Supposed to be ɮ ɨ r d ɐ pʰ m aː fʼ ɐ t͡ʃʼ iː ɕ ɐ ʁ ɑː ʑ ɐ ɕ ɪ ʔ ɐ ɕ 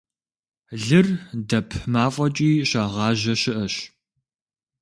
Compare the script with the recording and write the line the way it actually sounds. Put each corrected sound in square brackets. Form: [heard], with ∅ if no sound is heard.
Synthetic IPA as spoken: ɮ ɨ r d ɐ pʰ m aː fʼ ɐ t͡ʃʼ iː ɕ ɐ ʁ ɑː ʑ ɐ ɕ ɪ ʔ ɐ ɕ